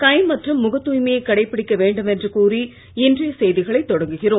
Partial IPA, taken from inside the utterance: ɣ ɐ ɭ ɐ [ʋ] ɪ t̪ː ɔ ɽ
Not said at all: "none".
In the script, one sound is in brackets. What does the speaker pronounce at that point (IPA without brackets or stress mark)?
none